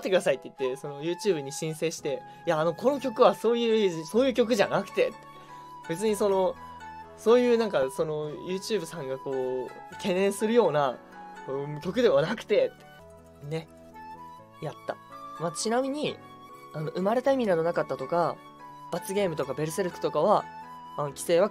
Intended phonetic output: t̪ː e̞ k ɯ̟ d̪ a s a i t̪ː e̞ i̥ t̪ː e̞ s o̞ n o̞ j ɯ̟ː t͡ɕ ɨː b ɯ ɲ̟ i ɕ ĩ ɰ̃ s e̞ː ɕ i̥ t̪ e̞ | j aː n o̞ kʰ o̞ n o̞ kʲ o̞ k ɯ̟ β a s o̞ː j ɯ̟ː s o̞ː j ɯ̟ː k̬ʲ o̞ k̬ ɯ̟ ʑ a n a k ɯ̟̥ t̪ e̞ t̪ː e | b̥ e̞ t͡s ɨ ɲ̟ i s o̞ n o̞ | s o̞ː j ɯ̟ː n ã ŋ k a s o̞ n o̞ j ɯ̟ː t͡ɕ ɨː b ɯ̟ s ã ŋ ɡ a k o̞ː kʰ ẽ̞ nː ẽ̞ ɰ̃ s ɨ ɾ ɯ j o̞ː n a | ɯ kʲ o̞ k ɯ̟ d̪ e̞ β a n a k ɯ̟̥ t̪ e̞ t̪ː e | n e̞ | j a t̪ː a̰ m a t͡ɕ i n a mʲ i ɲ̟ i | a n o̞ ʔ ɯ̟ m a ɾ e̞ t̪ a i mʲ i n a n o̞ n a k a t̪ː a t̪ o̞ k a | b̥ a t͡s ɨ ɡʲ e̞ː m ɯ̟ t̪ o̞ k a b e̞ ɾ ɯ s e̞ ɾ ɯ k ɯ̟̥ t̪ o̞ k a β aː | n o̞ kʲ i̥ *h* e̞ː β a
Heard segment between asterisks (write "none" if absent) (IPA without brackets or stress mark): s